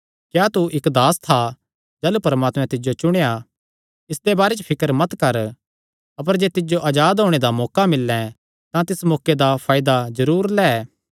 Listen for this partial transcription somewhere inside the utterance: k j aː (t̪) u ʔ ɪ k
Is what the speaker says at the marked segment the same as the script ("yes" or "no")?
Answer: yes